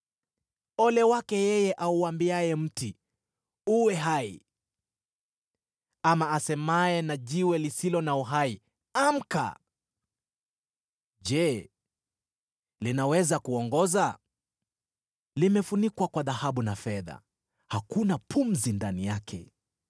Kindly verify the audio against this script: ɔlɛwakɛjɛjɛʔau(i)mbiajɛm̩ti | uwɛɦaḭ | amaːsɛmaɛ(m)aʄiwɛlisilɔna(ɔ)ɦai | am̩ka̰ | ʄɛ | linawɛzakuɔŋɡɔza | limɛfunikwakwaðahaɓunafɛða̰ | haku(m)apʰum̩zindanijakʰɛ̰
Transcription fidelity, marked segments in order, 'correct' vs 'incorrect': incorrect: a, incorrect: n, incorrect: u, incorrect: n

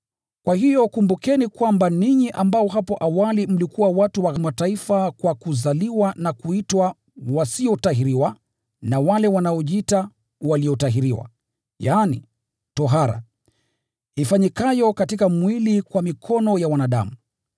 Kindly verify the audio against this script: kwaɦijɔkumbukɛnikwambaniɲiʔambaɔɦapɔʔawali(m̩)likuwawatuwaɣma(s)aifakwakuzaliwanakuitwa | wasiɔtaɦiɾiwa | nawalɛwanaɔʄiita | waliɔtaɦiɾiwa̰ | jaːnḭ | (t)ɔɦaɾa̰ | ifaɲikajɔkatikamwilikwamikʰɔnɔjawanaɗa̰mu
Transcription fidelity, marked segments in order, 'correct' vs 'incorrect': correct, incorrect: t, correct

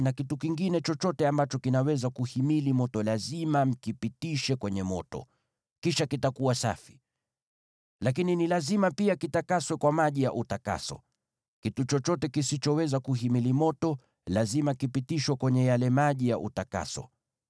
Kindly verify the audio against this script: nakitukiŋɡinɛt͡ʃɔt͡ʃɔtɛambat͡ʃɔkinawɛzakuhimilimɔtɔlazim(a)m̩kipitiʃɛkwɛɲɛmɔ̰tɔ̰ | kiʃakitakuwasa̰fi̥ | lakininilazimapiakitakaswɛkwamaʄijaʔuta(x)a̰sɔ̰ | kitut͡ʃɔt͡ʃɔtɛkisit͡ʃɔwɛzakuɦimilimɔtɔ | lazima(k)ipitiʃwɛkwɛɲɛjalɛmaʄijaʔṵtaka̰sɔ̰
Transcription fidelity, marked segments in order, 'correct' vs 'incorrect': correct, incorrect: k, correct

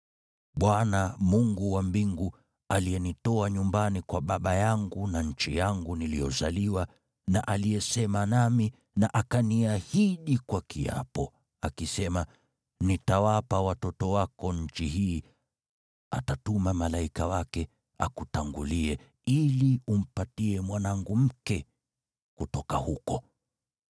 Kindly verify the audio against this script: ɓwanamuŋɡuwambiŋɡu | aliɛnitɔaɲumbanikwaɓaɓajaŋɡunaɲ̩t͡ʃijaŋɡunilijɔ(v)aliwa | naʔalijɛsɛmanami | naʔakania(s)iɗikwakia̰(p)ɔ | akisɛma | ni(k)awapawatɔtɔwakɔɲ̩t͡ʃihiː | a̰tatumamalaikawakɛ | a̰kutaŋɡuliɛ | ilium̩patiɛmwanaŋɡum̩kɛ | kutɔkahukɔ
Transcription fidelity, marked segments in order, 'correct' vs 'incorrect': incorrect: z, incorrect: h, correct, incorrect: t

